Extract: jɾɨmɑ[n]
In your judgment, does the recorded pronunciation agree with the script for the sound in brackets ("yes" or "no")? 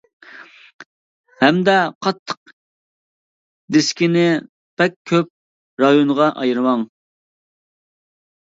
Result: no